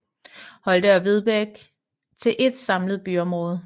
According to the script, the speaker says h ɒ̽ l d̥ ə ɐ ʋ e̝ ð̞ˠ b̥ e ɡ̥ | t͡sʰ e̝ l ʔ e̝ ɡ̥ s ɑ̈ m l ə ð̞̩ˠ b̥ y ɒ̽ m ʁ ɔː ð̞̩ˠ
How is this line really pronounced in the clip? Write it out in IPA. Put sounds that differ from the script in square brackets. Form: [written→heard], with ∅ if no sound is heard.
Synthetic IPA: h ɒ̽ l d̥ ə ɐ ʋ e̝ ð̞ˠ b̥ e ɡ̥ | t͡sʰ e̝ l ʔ e̝ [ɡ̥→d̥] s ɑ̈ m l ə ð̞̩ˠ b̥ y ɒ̽ m ʁ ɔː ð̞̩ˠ